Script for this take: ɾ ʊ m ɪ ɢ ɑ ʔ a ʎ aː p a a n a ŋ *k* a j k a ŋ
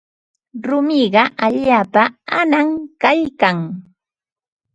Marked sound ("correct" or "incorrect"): correct